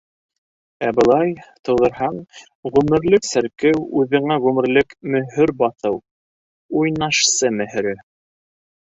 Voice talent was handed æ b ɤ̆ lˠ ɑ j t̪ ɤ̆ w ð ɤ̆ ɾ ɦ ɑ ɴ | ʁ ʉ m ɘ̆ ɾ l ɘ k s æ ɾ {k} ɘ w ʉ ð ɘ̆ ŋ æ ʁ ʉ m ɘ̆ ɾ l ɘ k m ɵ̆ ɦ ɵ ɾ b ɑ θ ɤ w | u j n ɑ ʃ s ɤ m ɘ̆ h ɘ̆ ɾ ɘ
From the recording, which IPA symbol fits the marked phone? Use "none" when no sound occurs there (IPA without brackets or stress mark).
k